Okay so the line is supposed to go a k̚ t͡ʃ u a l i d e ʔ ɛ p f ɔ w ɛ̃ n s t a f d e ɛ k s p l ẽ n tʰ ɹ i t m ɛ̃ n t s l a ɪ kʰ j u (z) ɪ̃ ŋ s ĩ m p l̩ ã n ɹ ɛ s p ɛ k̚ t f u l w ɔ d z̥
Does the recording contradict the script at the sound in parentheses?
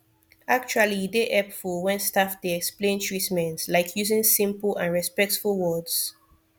no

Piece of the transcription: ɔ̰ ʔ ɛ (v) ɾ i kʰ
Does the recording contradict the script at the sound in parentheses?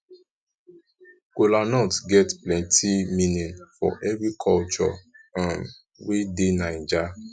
no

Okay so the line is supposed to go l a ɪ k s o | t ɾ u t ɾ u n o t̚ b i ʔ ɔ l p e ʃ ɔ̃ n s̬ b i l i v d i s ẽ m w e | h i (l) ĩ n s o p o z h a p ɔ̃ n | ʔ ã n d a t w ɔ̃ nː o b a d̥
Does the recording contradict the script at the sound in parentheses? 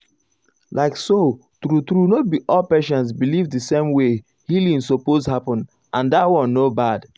no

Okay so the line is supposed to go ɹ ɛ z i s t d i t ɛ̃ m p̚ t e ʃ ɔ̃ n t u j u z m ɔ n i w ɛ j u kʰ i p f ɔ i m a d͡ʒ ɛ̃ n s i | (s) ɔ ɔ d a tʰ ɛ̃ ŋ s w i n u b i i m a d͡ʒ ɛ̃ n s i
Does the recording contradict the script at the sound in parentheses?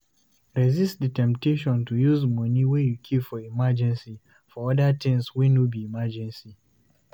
yes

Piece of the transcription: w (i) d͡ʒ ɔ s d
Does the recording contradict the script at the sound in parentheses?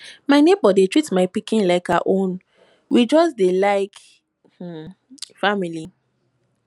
no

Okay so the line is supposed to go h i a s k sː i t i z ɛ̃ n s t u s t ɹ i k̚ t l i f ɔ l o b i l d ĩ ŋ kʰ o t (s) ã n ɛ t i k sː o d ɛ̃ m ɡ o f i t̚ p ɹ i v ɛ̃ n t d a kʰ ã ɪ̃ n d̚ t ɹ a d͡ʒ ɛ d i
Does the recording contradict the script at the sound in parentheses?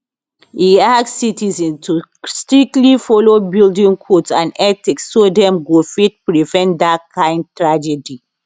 no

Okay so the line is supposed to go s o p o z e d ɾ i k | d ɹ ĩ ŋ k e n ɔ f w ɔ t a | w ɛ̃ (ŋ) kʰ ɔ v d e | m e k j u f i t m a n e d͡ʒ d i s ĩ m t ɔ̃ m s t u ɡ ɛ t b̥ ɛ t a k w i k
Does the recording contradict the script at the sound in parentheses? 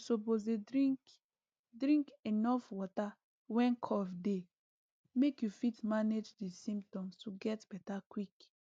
yes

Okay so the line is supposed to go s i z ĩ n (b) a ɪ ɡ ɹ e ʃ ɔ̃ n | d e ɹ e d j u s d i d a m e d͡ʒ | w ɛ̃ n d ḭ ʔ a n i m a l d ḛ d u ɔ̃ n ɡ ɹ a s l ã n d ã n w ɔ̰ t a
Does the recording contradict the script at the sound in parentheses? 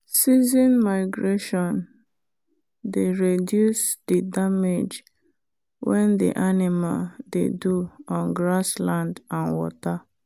yes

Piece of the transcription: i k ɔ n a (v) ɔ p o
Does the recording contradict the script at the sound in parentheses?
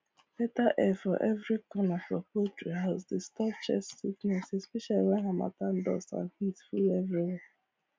yes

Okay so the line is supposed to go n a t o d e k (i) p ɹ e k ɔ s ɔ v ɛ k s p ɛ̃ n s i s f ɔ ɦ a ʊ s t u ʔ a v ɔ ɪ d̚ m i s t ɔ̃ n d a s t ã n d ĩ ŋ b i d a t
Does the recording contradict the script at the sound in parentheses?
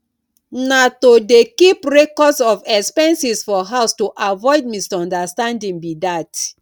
no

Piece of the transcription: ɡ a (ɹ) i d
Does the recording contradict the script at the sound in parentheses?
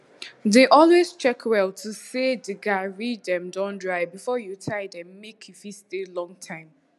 no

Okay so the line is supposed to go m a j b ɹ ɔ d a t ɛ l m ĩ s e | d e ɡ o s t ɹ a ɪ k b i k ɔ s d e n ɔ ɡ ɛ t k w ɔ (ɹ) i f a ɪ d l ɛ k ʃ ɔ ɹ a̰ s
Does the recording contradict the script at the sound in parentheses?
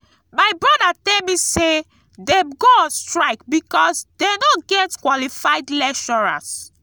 yes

